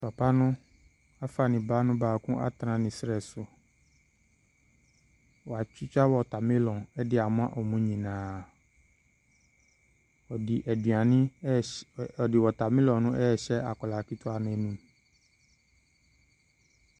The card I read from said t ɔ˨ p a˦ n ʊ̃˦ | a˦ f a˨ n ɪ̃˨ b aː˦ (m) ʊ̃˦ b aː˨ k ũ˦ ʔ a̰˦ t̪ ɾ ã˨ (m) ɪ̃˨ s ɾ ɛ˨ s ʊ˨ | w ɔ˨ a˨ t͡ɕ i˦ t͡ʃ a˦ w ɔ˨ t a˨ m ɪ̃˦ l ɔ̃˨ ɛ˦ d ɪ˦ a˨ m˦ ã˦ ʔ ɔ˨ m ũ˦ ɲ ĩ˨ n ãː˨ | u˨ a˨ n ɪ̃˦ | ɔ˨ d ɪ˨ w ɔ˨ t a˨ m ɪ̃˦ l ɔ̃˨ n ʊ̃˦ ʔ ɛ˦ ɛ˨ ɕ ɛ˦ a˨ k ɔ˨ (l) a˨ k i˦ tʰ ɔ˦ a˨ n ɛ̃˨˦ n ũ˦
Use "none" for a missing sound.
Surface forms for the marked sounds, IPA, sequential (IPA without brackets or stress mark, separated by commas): n, n, l